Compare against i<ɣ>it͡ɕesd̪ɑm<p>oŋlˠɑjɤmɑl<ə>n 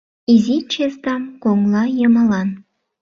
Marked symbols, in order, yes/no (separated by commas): no, no, no